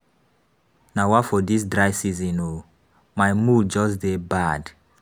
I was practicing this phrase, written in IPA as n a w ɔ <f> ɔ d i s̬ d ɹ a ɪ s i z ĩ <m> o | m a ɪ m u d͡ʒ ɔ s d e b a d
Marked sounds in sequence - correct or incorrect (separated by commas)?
correct, incorrect